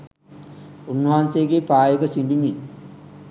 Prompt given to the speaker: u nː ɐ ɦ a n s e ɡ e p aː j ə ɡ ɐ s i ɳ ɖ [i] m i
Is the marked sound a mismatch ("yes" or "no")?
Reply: no